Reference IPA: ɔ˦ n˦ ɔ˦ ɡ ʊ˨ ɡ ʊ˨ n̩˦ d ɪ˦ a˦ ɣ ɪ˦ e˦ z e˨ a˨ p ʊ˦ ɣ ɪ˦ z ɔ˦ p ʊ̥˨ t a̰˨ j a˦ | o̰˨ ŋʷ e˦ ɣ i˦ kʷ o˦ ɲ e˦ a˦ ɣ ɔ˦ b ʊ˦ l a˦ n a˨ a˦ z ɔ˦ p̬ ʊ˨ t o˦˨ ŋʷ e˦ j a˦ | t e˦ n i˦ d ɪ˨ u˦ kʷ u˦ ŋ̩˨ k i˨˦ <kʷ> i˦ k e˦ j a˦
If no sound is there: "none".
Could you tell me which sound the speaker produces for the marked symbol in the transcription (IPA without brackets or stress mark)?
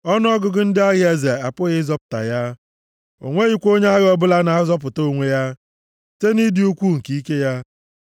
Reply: none